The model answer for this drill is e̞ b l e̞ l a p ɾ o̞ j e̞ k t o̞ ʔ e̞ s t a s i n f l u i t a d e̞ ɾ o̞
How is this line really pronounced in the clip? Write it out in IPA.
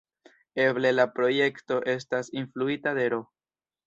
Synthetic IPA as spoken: e̞ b l e̞ l a p ɾ o̞ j e̞ k t o̞ ʔ e̞ s t a s i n f l u i t a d e̞ ɾ o̞